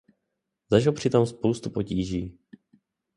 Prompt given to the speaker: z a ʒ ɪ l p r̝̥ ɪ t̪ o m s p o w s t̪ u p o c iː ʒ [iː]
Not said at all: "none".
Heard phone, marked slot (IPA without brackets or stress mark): iː